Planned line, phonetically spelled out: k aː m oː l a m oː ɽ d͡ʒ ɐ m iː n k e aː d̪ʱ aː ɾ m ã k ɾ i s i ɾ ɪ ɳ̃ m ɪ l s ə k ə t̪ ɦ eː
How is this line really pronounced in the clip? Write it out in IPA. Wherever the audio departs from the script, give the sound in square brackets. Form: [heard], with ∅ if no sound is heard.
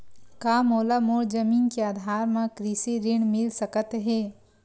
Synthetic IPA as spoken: k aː m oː l a m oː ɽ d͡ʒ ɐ m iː n k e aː d̪ʱ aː ɾ m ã k ɾ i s i ɾ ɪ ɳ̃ m ɪ l s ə k ə t̪ ɦ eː